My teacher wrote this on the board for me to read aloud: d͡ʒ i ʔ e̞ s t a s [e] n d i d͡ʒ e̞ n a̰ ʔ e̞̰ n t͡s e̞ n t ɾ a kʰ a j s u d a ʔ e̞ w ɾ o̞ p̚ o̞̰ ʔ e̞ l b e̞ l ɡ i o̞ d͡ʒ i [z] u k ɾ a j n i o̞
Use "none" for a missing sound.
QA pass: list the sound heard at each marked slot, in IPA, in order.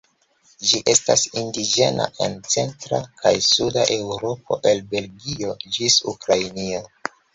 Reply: i, s

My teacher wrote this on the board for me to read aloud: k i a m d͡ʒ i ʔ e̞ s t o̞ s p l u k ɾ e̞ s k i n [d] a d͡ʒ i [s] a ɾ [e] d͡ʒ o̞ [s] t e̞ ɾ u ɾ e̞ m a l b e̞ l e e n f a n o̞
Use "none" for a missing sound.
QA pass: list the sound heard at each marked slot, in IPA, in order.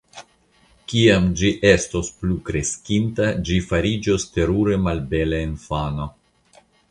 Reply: t, f, i, s

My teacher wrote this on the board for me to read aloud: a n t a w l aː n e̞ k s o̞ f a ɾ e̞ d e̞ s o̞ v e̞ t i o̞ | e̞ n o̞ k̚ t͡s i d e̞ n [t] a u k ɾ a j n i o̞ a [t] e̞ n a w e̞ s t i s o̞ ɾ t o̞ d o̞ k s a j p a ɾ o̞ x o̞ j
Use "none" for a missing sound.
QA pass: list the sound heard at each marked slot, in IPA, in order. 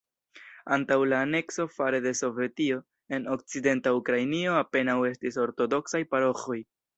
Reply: t, p

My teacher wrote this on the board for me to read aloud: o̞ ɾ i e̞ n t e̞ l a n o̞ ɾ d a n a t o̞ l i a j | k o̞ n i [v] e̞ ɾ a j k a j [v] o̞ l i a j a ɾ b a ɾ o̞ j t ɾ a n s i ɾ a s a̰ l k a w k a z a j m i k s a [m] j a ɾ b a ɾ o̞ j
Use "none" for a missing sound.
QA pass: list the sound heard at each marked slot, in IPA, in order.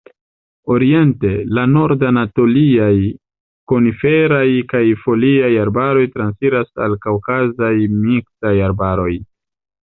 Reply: f, f, none

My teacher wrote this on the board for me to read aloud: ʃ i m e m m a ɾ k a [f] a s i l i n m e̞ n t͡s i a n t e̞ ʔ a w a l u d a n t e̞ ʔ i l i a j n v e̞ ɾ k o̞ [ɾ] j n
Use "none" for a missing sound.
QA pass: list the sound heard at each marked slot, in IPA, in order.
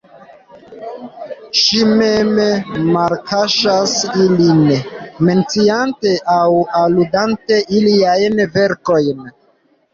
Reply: ʃ, none

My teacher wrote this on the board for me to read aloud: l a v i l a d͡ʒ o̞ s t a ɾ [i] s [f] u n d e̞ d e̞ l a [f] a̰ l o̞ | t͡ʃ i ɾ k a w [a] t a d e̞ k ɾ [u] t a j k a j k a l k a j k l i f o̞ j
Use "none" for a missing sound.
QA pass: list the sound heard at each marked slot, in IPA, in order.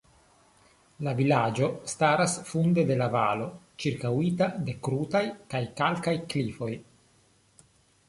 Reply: a, f, v, i, u

